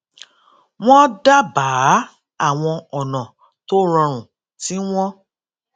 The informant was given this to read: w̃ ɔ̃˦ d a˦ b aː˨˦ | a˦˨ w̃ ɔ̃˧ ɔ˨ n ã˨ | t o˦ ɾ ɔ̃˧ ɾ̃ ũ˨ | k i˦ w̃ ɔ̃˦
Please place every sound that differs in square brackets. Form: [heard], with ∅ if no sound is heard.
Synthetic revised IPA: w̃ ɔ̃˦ d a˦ b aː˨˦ | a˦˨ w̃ ɔ̃˧ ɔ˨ n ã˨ | t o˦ ɾ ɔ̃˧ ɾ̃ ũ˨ | [t] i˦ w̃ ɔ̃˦

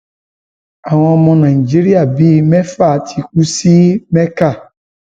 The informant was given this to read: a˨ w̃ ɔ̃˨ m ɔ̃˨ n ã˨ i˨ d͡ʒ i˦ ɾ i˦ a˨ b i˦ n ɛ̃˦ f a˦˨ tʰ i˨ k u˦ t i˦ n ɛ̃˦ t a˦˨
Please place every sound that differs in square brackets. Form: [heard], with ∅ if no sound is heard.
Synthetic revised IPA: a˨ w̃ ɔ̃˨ m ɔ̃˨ n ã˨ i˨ d͡ʒ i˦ ɾ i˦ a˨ b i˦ [m] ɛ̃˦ f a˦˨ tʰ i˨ k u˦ [s] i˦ [m] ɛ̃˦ [k] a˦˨

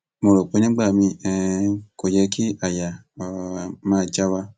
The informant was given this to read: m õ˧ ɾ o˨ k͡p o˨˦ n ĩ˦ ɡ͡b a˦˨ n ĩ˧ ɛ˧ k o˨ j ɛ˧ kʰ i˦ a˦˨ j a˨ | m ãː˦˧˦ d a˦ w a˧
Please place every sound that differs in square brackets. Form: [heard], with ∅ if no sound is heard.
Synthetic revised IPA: m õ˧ ɾ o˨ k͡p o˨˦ n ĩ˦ ɡ͡b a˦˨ [m] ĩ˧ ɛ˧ k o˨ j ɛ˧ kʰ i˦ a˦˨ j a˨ | m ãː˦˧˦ [d͡ʒ] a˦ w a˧

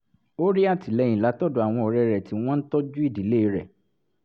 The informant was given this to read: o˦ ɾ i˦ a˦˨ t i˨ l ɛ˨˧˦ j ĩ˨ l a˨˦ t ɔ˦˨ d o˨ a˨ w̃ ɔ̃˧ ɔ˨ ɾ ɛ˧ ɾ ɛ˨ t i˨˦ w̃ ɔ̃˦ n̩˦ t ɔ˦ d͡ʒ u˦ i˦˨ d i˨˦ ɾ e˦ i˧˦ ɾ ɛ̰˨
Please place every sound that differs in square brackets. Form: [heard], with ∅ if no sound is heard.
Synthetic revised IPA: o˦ ɾ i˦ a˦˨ t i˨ l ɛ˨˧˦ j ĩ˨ l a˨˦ t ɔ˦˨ d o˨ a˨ w̃ ɔ̃˧ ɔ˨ ɾ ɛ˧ ɾ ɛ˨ t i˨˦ w̃ ɔ̃˦ n̩˦ t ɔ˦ d͡ʒ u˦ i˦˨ d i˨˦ [l] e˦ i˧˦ ɾ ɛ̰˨

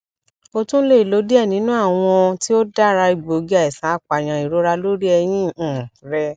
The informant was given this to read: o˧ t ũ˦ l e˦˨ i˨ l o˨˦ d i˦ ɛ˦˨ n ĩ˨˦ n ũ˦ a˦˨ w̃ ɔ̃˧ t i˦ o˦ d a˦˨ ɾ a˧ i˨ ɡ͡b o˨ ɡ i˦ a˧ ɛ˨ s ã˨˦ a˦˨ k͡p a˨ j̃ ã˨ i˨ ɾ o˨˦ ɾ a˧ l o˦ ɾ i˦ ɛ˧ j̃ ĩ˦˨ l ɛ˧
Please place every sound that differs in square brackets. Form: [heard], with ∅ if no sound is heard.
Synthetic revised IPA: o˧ t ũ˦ l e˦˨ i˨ l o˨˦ d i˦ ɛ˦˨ n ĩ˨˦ n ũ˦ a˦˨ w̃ ɔ̃˧ t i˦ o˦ d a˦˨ ɾ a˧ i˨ ɡ͡b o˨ ɡ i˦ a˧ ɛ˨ s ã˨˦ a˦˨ k͡p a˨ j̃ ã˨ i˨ ɾ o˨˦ ɾ a˧ l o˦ ɾ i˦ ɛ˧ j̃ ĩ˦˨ [ɾ] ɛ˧

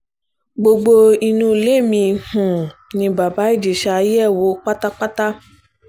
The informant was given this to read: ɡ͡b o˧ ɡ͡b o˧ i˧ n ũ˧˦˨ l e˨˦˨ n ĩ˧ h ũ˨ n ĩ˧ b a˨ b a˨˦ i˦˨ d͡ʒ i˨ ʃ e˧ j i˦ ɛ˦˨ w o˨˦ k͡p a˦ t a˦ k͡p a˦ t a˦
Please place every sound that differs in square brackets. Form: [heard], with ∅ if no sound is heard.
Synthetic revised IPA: ɡ͡b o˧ ɡ͡b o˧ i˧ n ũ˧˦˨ l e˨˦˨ [m] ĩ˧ h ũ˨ n ĩ˧ b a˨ b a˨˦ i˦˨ d͡ʒ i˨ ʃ [a˧] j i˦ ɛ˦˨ w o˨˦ k͡p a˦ t a˦ k͡p a˦ t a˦

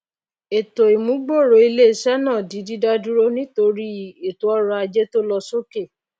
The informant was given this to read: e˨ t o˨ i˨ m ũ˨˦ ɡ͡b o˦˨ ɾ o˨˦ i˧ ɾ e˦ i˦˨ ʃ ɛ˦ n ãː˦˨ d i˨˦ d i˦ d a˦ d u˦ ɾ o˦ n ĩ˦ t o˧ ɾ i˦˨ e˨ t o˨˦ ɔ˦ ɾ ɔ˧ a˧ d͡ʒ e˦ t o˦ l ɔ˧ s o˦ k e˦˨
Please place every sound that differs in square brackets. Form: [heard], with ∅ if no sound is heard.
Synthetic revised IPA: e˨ t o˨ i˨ m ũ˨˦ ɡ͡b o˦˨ ɾ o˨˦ i˧ [l] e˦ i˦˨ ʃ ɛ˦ n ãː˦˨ d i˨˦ d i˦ d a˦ d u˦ ɾ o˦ n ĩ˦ t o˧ ɾ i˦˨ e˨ t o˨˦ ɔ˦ ɾ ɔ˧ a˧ d͡ʒ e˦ t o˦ l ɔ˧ s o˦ k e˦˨

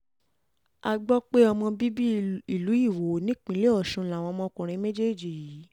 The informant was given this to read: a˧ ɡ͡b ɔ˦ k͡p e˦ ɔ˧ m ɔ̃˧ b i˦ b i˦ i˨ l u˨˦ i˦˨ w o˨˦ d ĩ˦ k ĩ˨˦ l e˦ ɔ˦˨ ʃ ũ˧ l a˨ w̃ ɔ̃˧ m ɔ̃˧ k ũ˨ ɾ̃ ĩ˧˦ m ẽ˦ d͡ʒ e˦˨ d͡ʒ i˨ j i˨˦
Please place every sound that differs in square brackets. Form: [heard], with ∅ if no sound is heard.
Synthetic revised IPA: a˧ ɡ͡b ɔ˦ k͡p e˦ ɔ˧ m ɔ̃˧ b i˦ b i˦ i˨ l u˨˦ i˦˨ w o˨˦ [n] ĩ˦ [k͡p] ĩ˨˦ l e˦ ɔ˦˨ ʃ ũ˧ l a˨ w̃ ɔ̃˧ m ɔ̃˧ k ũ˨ ɾ̃ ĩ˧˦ m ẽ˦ d͡ʒ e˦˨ d͡ʒ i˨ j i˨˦

